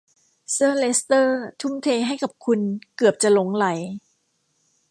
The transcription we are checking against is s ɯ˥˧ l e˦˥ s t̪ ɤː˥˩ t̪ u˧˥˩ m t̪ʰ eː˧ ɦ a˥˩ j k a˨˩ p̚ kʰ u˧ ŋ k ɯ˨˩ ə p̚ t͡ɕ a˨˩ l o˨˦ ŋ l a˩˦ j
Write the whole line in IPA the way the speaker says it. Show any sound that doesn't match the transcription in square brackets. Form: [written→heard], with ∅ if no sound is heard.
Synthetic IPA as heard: s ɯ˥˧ l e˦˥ s t̪ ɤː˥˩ [t̪→t̪ʰ] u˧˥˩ m t̪ʰ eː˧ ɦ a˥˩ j k a˨˩ p̚ kʰ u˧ [ŋ→n] k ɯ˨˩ ə p̚ t͡ɕ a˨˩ l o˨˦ ŋ l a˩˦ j